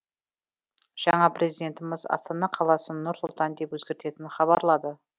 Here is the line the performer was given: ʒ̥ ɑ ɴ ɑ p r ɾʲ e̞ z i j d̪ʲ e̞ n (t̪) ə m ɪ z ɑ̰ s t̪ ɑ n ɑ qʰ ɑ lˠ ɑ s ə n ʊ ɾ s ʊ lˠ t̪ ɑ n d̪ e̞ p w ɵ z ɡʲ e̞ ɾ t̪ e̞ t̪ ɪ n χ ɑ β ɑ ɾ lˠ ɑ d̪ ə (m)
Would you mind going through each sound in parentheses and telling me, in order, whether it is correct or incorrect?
correct, incorrect: none

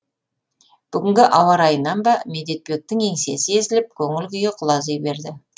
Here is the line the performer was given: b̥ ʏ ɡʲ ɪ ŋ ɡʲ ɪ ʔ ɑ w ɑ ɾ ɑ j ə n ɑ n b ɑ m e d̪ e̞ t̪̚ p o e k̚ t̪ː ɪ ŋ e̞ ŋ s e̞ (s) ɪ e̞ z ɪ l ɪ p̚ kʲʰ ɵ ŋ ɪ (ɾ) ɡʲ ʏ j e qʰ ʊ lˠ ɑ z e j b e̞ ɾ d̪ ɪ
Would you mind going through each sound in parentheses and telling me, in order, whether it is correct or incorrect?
correct, incorrect: l

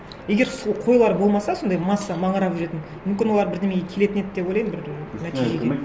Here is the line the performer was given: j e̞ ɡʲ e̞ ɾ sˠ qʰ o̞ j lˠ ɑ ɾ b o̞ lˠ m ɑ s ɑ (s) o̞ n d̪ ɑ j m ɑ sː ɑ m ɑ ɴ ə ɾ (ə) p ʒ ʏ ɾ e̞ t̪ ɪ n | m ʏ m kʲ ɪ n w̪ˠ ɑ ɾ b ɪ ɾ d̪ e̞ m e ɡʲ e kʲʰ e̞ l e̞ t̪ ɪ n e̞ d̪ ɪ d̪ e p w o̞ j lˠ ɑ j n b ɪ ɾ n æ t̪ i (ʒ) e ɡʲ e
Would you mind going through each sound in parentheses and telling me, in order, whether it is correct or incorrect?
correct, incorrect: ɑ, correct

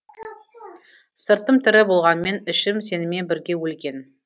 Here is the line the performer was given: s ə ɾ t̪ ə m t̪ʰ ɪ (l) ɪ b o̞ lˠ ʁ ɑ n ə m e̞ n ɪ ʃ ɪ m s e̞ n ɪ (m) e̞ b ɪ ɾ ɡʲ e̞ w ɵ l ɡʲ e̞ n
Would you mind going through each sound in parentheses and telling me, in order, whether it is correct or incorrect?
incorrect: ɾ, correct

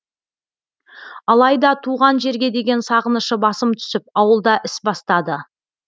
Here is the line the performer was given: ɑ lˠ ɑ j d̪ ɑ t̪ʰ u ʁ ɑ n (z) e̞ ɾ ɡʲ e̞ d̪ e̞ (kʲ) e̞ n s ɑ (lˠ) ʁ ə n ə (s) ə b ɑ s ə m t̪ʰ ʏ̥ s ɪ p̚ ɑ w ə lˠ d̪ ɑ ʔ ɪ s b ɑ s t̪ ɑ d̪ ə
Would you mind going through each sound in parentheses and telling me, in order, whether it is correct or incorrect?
incorrect: ʒ, incorrect: ɡʲ, incorrect: none, incorrect: ʃ

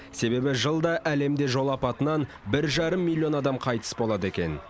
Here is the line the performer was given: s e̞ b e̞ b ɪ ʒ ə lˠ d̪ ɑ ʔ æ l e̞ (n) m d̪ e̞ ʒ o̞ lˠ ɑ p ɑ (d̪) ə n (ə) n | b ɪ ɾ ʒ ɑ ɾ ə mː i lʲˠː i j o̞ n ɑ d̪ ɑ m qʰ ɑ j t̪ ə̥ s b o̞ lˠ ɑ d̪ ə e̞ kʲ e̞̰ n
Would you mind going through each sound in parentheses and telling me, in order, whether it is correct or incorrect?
incorrect: none, incorrect: t̪, incorrect: ɑ

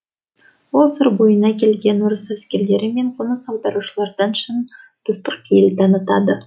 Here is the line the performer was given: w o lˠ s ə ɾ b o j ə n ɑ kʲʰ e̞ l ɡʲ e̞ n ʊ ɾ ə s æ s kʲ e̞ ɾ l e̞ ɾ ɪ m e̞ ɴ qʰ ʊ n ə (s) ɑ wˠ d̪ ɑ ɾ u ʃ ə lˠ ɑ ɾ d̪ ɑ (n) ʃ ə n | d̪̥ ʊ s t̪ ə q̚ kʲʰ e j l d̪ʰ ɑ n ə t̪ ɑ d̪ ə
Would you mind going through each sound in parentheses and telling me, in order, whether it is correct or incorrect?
correct, correct

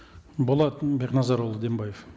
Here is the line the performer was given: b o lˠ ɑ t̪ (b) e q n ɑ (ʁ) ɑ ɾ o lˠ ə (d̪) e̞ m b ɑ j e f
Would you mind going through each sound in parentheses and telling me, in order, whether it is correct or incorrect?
correct, incorrect: z, correct

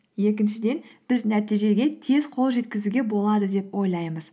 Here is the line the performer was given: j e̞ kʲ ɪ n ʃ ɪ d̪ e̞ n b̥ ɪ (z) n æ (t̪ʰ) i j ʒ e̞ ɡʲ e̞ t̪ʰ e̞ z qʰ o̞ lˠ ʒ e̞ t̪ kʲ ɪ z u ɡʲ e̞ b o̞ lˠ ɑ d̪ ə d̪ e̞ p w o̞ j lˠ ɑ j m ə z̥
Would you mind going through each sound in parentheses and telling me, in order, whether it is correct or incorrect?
correct, incorrect: t̪

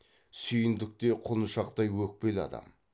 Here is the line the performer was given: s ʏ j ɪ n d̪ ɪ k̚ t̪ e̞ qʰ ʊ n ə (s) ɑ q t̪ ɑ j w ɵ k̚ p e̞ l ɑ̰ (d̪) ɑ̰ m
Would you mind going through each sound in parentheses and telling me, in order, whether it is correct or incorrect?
incorrect: ʃ, correct

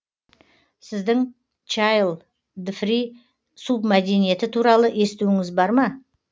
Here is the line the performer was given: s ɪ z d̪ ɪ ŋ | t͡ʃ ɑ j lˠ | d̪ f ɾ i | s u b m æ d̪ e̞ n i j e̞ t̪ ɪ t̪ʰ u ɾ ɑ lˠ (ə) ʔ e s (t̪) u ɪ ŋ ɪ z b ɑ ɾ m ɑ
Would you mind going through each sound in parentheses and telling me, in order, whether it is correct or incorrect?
correct, correct

